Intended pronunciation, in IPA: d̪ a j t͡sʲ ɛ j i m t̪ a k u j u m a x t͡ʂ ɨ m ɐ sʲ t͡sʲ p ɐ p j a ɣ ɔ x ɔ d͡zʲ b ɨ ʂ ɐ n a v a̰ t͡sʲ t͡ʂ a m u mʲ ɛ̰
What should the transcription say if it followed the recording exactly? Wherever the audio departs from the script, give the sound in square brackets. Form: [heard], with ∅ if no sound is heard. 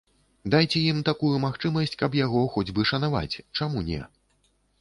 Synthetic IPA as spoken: d̪ a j t͡sʲ ɛ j i m t̪ a k u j u m a x t͡ʂ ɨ m ɐ sʲ t͡sʲ [k] ɐ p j a ɣ ɔ x ɔ d͡zʲ b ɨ ʂ ɐ n a v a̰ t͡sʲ t͡ʂ a m u [nʲ] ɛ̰